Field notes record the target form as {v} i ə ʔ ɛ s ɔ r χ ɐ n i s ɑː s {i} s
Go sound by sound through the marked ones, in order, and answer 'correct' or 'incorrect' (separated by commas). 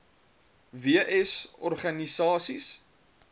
correct, correct